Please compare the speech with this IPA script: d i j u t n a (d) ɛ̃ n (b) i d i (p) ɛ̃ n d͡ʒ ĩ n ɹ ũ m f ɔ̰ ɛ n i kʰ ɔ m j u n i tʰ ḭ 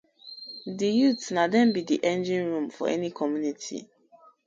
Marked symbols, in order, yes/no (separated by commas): yes, yes, no